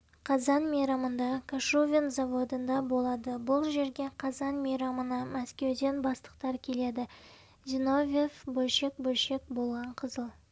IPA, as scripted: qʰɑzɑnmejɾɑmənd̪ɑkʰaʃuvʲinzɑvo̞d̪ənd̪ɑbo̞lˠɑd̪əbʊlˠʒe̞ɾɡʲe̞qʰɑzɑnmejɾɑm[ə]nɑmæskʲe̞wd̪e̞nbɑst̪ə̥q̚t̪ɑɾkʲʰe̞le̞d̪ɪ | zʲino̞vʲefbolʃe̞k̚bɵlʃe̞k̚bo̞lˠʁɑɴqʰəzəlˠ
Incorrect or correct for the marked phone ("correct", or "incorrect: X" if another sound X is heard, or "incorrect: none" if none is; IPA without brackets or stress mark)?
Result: correct